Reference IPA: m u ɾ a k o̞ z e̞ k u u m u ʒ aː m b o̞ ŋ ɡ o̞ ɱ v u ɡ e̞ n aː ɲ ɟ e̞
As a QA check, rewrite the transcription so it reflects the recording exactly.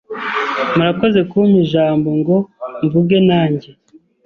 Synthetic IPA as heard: m u ɾ a k o̞ z e̞ k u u m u ʒ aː m b o̞ ŋ ɡ o̞ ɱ v u ɡ e̞ n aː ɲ ɟ e̞